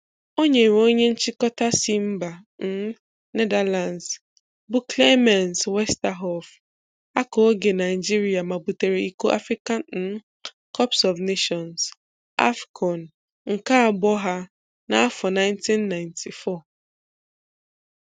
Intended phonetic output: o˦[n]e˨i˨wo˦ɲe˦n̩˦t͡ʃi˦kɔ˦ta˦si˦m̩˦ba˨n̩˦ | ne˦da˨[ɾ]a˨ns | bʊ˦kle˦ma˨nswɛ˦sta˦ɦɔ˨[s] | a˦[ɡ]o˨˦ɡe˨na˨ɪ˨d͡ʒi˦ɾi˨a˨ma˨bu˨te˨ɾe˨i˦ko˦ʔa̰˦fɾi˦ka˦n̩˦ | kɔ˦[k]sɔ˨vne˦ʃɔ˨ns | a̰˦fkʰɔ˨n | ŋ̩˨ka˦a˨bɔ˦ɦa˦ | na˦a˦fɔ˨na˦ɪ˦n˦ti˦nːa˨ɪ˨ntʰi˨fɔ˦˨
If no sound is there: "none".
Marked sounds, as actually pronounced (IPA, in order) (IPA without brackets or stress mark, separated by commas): ɲ, l, f, k, p